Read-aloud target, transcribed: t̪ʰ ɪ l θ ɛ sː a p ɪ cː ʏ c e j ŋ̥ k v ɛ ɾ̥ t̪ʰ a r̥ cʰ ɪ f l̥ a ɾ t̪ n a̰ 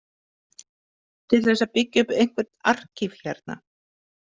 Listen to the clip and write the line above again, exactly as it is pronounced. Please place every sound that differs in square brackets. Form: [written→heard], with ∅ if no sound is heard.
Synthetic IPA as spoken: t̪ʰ ɪ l θ ɛ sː a p ɪ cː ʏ [c→p] e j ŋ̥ k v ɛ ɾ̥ [t̪ʰ→t̪] a r̥ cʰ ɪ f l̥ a ɾ t̪ n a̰

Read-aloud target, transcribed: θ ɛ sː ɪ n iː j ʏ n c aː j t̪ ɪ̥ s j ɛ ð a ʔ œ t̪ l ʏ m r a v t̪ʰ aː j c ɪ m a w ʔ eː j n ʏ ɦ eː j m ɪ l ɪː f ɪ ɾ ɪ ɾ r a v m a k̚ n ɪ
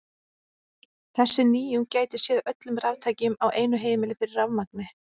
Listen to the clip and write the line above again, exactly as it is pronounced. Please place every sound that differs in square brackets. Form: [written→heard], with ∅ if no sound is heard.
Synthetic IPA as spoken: θ ɛ sː ɪ n iː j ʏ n c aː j t̪ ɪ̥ s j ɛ ð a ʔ œ t̪ l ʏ m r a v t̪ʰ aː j c ɪ m a w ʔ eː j n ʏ ɦ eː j m ɪ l [ɪː→ɪ] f ɪ ɾ ɪ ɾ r a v m a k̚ n ɪ

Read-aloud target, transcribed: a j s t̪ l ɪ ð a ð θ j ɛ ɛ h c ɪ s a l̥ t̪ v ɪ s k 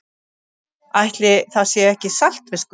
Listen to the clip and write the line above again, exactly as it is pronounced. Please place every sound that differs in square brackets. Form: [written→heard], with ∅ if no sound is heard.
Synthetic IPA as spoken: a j [s→h] t̪ l ɪ [ð→θ] a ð [θ→s] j ɛ ɛ h c ɪ s a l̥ t̪ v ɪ s k

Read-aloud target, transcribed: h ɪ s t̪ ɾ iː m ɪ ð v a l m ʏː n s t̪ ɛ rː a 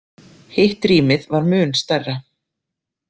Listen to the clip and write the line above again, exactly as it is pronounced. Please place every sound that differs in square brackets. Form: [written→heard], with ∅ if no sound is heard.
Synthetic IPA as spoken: h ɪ [s→h] t̪ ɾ iː m ɪ ð v a [l→ɾ] m ʏː n s t̪ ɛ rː a

